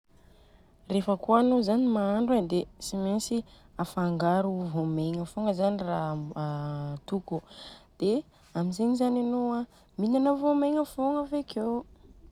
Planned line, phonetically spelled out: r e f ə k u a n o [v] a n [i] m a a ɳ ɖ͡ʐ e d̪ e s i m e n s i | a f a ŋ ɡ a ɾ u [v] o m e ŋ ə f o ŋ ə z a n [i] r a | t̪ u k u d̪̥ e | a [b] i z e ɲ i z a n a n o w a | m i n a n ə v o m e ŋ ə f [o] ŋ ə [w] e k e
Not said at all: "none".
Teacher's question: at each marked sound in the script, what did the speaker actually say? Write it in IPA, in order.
z, i, v, i, m, o, v

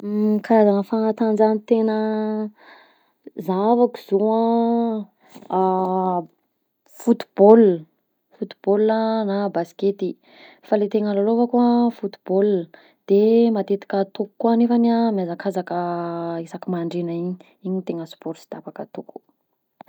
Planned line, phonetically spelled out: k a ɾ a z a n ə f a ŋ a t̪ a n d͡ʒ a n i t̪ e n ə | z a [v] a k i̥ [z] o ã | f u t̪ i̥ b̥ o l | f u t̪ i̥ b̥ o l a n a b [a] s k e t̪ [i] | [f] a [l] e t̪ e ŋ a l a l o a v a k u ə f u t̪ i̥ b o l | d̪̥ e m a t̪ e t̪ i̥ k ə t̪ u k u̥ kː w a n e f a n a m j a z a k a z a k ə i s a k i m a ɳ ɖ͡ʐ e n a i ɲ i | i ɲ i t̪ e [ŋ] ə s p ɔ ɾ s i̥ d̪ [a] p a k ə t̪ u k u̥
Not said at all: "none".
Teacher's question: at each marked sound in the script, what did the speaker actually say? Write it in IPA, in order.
v, z, a, i, f, l, ŋ, a

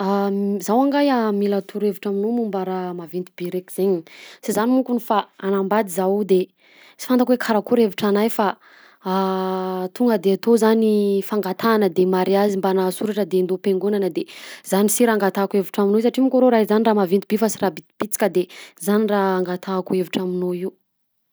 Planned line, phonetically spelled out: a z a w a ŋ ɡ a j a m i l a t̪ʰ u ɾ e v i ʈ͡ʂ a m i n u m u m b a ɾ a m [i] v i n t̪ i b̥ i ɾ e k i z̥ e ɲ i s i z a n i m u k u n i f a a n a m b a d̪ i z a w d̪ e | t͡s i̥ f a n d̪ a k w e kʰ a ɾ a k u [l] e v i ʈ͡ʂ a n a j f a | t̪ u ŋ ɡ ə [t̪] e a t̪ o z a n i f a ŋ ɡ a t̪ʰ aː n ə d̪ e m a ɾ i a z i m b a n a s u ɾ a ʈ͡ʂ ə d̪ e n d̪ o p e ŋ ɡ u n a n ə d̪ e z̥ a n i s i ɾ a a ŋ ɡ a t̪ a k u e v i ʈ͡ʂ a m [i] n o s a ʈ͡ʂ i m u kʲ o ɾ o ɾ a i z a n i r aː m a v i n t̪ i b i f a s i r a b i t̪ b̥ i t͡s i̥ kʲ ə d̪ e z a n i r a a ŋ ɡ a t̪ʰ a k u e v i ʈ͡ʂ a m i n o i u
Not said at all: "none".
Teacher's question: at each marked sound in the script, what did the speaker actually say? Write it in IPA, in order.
a, ɾ, d̪, i

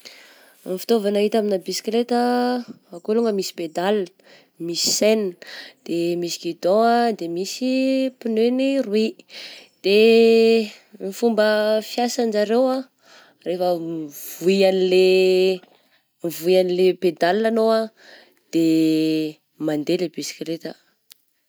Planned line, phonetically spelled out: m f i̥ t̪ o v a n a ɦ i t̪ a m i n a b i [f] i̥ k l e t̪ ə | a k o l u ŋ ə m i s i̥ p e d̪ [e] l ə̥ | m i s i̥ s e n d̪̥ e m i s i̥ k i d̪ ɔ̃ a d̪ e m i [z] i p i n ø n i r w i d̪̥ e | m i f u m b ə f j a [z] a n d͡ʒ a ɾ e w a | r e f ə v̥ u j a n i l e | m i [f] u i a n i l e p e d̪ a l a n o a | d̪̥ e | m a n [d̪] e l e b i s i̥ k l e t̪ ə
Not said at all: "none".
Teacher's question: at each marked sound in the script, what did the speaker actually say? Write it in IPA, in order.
s, a, s, s, v, d̪

